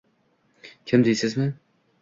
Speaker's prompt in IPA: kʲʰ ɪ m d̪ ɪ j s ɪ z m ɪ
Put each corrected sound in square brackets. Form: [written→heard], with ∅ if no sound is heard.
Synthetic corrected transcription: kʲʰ ɪ m d̪ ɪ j s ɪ z m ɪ